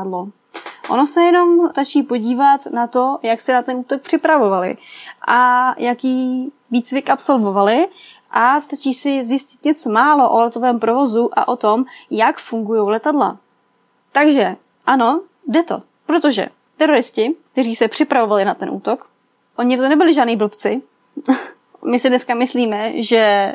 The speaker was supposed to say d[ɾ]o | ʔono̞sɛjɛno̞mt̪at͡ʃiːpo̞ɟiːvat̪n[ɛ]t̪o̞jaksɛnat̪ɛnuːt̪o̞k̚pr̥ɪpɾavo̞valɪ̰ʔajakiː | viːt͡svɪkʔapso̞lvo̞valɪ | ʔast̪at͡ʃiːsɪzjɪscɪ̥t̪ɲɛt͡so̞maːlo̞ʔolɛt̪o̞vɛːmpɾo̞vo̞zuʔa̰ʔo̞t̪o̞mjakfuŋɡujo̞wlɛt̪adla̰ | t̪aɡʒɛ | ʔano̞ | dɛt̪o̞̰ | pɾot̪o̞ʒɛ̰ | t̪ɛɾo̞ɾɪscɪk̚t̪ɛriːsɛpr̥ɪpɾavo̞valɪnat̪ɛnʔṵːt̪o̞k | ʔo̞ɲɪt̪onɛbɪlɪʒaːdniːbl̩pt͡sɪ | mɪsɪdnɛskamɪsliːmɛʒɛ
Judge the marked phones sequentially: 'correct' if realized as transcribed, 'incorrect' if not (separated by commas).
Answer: incorrect, incorrect